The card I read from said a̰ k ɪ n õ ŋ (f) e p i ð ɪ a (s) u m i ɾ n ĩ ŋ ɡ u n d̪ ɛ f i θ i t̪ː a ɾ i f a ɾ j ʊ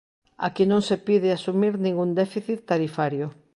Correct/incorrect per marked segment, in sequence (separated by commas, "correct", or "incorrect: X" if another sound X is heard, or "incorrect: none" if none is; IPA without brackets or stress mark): incorrect: s, correct